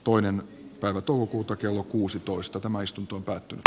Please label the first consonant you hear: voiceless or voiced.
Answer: voiceless